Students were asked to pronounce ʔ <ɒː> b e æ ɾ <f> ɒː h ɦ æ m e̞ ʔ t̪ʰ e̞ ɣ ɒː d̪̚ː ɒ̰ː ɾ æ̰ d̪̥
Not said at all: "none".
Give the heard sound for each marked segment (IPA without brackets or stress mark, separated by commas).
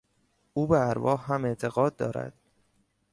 uː, v